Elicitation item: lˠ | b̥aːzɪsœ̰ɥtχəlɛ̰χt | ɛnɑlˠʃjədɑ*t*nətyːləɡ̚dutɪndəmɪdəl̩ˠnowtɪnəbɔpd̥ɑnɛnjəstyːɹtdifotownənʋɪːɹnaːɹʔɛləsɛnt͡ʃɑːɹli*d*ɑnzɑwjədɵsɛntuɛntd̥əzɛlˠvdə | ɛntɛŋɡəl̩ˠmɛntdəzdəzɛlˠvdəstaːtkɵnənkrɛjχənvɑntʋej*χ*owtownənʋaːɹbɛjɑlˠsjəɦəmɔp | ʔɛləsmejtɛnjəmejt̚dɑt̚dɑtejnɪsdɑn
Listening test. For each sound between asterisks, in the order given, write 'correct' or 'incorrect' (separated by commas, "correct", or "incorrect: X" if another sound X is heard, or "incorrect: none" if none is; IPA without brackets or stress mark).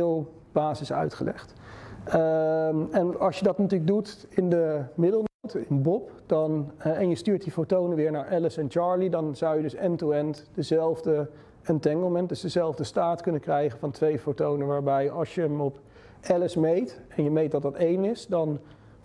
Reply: correct, correct, incorrect: f